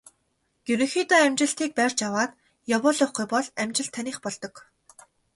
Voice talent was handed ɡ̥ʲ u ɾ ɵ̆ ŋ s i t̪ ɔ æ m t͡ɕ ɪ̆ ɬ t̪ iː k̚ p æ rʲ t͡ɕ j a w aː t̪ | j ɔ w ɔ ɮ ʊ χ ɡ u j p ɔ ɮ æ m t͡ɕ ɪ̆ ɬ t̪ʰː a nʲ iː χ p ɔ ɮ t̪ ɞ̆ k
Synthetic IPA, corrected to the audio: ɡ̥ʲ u ɾ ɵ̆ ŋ x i t̪ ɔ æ m t͡ɕ ɪ̆ ɬ t̪ iː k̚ p æ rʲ t͡ɕ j a w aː t̪ | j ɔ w ɔ ɮ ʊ χ ɡ u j p ɔ ɮ æ m t͡ɕ ɪ̆ ɬ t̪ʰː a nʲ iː χ p ɔ ɮ t̪ ɞ̆ k